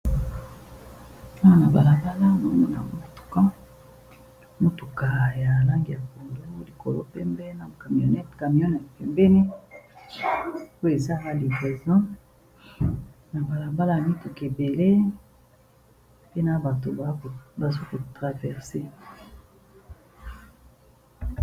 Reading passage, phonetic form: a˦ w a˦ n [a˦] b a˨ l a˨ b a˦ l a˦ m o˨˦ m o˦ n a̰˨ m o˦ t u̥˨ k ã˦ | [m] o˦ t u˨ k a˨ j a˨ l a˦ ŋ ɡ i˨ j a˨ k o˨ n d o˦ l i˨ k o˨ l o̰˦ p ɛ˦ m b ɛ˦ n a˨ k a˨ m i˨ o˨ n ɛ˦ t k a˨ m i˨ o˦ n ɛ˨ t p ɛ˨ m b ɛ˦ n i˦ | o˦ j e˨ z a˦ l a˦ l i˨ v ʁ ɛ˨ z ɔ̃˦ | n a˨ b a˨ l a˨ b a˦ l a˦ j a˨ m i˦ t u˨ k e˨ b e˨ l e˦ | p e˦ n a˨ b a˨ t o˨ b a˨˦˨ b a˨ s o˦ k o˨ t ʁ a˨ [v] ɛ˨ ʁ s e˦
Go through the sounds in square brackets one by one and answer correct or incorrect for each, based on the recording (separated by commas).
incorrect, correct, correct